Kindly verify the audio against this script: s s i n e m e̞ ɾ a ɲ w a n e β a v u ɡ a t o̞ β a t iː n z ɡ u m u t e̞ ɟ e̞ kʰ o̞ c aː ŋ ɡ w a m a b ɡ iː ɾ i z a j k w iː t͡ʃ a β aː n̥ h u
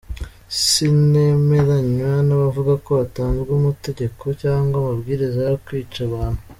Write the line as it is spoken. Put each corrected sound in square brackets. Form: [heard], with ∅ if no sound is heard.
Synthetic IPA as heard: s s i n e m e̞ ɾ a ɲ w a n [a] β a v u ɡ a [k] o̞ β a t [aː] n z ɡ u m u t e̞ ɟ e̞ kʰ o̞ c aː ŋ ɡ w a m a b ɡ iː ɾ i z a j k w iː t͡ʃ a β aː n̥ h u